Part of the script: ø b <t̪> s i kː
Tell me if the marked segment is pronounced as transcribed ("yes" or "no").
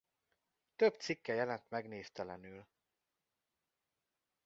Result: yes